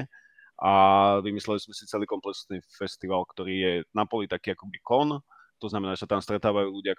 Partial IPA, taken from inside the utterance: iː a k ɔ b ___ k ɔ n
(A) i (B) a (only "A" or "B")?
A